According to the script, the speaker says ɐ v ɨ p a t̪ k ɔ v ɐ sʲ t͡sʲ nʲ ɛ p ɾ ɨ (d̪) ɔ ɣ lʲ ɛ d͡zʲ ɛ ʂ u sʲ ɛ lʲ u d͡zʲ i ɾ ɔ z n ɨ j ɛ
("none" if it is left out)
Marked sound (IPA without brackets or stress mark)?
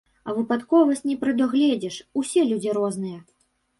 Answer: d̪